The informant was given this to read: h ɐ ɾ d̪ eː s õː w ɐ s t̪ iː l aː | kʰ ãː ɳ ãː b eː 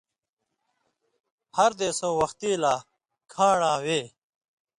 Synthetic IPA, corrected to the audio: h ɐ ɾ d̪ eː s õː w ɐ x t̪ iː l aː | kʰ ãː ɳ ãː w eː